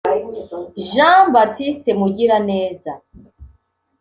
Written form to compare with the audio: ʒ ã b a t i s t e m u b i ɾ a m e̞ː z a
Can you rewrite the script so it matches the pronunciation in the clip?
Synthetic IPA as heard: ʒ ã b a t i s t e m u ɟ i ɾ a n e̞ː z a